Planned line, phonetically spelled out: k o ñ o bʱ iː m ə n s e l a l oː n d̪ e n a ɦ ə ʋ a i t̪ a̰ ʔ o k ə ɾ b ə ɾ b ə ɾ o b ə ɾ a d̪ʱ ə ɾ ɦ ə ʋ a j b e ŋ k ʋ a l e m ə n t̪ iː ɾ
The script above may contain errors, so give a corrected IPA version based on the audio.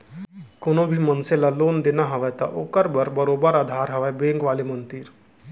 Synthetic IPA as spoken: k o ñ o bʱ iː m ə n s e l a l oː n d̪ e n a ɦ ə ʋ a j t̪ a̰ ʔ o k ə ɾ b ə ɾ b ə ɾ o b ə ɾ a d̪ʱ a ɾ ɦ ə ʋ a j b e ŋ k ʋ a l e m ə n t̪ iː ɾ